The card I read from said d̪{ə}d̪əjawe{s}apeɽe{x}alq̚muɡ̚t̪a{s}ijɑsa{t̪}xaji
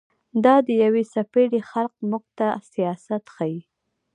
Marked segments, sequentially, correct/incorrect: incorrect: ɑ, correct, correct, correct, correct

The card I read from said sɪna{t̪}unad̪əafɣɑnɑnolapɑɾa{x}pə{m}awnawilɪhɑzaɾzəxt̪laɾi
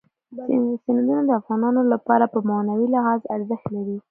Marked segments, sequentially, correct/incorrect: incorrect: d̪, incorrect: none, correct

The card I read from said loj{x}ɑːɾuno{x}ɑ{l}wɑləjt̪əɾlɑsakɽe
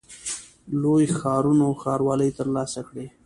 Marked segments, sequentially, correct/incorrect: correct, correct, incorrect: ɾ

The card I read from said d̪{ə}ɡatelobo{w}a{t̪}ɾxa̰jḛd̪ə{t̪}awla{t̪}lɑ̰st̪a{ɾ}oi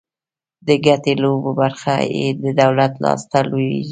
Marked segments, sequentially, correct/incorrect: correct, incorrect: b, incorrect: none, incorrect: d̪, correct, incorrect: l

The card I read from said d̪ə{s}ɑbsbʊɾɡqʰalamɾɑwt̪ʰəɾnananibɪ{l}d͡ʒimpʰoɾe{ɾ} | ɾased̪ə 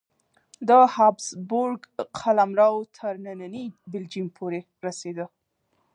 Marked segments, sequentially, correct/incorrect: incorrect: h, correct, incorrect: none

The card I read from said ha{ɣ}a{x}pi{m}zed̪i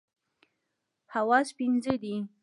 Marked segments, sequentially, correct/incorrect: incorrect: w, incorrect: s, incorrect: n

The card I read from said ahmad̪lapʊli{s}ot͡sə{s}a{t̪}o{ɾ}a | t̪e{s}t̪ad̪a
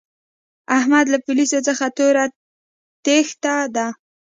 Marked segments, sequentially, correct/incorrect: correct, incorrect: x, correct, correct, incorrect: x

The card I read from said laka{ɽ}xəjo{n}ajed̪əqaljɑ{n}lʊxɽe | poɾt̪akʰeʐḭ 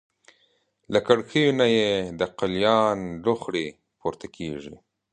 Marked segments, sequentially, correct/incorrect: correct, correct, correct

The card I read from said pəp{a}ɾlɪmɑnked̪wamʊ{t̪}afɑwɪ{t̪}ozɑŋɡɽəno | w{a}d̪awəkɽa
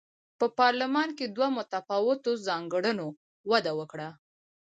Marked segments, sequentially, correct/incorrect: incorrect: ɑ, correct, correct, correct

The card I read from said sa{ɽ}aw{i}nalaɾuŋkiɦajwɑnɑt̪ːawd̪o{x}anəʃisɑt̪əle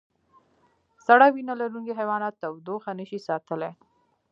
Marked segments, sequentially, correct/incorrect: correct, correct, correct

